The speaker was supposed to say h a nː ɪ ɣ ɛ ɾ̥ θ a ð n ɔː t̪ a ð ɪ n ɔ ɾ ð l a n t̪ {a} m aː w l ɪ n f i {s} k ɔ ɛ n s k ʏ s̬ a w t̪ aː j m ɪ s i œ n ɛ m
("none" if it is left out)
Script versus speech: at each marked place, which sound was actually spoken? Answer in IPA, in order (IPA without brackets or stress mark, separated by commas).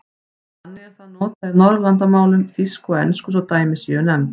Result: a, s